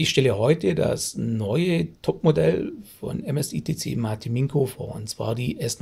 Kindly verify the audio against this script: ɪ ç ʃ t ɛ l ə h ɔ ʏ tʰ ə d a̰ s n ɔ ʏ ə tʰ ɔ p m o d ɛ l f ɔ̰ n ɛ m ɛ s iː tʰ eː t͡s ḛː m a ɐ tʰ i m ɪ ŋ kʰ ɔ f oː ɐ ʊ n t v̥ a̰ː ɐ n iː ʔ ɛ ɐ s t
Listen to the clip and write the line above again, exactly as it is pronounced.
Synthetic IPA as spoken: ɪ ç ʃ t ɛ l ə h ɔ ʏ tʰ ə d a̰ s n ɔ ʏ ə tʰ ɔ p m o d ɛ l f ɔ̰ n ɛ m ɛ s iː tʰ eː t͡s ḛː m a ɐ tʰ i m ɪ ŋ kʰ o f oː ɐ ʊ n t͡s v̥ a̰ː ɐ d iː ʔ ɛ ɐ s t